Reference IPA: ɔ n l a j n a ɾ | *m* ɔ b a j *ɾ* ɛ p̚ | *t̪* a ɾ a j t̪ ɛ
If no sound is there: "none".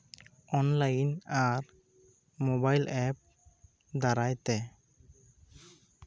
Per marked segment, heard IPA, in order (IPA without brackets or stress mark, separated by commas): m, l, d̪